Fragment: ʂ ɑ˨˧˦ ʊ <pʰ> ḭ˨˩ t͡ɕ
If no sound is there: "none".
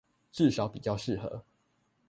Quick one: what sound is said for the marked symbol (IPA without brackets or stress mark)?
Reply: p